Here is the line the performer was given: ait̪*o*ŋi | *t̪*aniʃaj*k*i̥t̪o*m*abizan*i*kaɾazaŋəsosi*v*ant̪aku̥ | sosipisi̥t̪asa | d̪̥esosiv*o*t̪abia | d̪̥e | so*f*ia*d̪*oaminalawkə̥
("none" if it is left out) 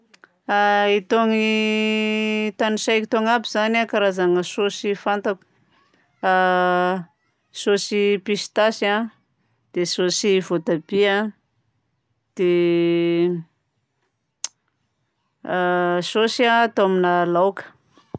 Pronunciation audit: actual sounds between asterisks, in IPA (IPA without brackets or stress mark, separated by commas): o, t̪, k, ŋ, a, f, o, s, t̪